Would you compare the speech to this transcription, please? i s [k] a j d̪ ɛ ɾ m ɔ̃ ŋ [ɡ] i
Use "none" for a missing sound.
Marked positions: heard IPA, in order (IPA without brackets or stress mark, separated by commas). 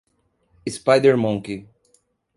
p, k